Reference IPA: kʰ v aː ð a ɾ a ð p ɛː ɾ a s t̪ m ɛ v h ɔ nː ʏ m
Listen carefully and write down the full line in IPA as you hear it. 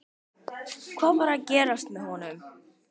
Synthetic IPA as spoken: kʰ v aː v a ɾ a ð c ɛː ɾ a s t̪ m ɛ ð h ɔ n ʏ m